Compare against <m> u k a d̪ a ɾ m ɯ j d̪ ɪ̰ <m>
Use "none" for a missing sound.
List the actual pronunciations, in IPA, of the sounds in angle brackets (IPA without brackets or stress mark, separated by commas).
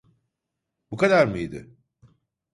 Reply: b, none